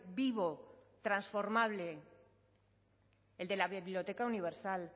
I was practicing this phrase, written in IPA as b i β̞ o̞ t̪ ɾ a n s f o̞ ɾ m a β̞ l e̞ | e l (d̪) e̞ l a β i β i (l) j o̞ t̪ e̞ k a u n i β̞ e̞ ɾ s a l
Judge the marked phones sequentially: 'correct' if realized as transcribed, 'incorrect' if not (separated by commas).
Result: correct, correct